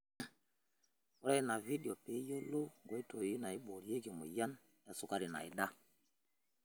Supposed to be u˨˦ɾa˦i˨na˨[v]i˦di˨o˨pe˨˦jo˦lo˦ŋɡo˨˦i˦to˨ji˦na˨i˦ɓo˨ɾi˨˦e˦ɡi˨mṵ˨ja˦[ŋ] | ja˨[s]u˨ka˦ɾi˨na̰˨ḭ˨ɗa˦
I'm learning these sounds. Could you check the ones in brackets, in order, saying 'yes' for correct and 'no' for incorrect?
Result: yes, no, yes

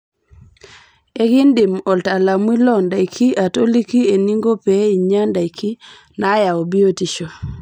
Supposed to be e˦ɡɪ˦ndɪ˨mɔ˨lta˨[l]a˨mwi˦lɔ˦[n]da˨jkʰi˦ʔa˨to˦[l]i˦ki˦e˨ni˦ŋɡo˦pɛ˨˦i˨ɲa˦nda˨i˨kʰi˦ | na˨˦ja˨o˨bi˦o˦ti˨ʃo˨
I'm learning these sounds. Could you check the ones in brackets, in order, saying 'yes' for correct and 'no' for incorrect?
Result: yes, yes, yes

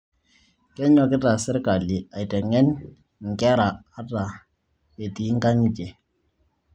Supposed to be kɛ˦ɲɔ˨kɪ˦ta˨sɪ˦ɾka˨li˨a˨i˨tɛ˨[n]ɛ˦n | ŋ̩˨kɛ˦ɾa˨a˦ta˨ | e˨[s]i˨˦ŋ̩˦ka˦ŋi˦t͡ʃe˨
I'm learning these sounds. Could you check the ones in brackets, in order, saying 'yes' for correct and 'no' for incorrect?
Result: no, no

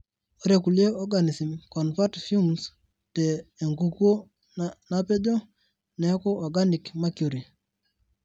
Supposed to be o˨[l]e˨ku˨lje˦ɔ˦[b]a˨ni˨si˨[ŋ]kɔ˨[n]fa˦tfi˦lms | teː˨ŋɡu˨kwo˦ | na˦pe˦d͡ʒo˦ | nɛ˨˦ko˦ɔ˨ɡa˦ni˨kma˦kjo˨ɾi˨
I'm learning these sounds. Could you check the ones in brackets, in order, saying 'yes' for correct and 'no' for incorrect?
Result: no, no, no, yes

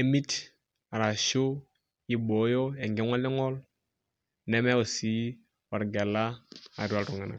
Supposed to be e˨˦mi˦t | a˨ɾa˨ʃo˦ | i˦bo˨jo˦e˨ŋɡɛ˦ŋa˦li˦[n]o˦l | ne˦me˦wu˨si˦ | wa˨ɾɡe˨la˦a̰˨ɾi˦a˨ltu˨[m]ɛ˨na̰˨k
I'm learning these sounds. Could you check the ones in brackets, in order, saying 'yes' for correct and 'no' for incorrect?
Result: no, no

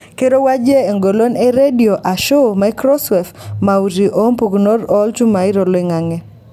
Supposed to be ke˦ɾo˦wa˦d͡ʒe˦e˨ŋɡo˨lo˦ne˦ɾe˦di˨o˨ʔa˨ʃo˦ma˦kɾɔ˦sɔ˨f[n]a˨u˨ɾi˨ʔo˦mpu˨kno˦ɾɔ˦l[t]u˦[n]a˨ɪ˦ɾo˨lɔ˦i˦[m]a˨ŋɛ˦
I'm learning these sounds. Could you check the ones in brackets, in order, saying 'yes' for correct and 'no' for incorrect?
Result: no, no, no, no

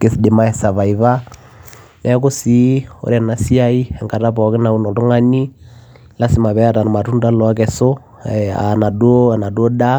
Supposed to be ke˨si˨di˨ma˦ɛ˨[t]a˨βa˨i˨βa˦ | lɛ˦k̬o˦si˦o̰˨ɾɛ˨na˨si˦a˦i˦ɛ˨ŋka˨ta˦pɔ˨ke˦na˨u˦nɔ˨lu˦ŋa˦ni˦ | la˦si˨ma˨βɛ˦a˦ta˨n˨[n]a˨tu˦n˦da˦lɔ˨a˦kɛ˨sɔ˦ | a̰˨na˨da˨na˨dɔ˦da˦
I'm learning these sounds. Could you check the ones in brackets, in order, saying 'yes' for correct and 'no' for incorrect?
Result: no, no

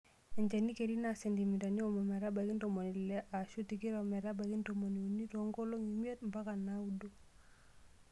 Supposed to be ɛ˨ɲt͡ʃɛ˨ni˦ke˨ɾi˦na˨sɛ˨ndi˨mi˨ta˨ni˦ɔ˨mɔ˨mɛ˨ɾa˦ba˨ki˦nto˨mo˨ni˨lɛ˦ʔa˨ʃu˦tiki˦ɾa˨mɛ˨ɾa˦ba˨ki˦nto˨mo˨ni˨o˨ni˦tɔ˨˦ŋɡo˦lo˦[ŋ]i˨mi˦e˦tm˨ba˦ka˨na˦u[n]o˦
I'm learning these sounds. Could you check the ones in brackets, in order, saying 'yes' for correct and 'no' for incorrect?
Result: yes, no

